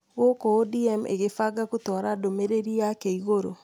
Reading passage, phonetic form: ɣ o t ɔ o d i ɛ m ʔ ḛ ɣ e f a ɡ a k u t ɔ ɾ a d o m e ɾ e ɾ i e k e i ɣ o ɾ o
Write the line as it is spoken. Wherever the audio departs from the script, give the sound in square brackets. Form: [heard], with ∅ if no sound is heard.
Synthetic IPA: ɣ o [k] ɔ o d i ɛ m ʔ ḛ ɣ e f a ɡ a k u t ɔ ɾ a d o m e ɾ e ɾ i [a] k e i ɣ o ɾ o